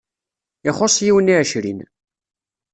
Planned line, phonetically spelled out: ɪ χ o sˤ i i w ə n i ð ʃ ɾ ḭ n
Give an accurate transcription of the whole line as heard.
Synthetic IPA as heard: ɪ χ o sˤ j i w ə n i ʕ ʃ ɾ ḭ n